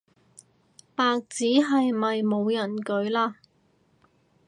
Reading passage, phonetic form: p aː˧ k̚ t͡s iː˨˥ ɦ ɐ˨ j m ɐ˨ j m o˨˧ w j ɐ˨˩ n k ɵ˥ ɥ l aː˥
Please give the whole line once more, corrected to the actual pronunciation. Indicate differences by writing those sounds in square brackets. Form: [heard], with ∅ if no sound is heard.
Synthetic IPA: p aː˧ k̚ t͡s iː˨˥ ɦ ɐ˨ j m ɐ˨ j m o˨˧ w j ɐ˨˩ n k [ɵ˨˥] ɥ l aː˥